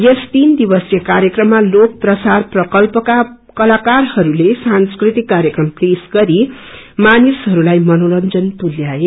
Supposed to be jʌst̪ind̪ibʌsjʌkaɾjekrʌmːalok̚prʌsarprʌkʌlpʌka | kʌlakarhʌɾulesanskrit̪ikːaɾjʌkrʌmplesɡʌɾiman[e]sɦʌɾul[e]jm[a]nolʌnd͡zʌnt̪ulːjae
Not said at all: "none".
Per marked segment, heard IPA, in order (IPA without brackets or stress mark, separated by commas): i, a, ʌ